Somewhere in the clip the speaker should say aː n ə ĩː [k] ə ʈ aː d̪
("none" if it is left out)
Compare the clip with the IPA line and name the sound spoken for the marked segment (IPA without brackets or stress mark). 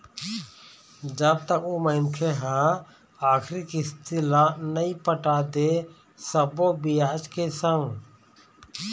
p